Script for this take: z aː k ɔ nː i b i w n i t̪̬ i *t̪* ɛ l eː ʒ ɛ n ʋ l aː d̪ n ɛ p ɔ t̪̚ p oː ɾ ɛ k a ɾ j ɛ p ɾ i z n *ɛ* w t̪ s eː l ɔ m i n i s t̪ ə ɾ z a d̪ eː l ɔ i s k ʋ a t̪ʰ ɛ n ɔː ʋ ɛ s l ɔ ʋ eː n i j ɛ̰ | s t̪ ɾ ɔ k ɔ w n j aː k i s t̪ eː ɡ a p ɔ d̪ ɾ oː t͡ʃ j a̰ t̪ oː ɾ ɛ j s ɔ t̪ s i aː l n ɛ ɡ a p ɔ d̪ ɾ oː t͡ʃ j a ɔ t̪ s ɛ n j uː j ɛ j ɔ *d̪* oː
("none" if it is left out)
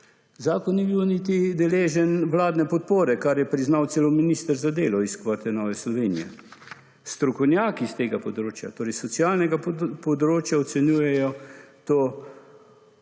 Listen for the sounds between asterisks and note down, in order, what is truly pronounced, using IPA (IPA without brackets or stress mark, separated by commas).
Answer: d̪, a, t̪